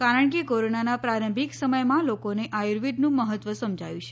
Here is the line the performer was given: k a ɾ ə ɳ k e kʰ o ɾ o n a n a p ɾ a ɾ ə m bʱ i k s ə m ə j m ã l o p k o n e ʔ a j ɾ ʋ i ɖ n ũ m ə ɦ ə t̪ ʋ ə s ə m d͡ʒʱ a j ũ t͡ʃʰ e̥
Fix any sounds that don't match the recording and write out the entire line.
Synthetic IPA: k a ɾ ə ɳ k e k o ɾ o n a n a p ɾ a ɾ ə m bʱ i k s ə m ə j m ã l o k o n e ʔ a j ɾ ʋ i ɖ n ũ m ə ɦ ə t̪ ʋ ə s ə m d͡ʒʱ a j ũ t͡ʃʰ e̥